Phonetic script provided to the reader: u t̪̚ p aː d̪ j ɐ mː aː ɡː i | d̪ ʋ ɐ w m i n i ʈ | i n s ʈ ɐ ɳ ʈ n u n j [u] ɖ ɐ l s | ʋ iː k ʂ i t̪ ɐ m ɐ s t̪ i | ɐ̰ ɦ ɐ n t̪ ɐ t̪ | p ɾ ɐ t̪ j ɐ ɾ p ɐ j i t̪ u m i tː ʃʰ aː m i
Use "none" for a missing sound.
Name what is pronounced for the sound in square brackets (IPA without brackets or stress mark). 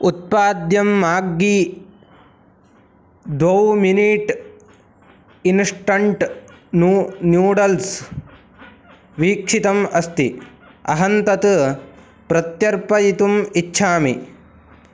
uː